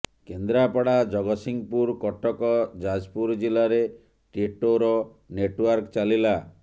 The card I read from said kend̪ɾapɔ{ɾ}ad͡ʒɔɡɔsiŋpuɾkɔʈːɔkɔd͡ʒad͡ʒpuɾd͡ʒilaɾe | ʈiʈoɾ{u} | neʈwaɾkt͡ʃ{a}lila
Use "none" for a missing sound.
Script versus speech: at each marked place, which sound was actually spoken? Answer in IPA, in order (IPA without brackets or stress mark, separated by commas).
ɽ, ɔ, a